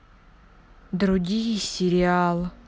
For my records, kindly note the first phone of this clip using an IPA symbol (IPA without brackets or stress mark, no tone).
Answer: d̪